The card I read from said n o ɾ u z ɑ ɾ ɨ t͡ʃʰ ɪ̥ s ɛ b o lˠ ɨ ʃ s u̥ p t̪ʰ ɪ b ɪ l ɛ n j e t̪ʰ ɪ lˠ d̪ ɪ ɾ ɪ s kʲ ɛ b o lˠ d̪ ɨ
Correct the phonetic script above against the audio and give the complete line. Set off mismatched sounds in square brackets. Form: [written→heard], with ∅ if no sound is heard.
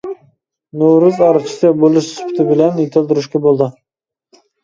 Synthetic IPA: n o ɾ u z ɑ ɾ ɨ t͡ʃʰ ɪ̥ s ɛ b o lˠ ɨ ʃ s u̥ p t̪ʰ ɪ b ɪ l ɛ n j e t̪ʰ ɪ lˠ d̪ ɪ ɾ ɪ [s→ʃ] kʲ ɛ b o lˠ d̪ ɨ